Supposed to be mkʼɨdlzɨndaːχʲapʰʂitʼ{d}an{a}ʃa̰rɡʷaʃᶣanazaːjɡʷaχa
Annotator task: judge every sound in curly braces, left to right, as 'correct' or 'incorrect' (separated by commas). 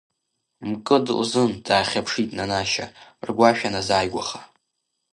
incorrect, correct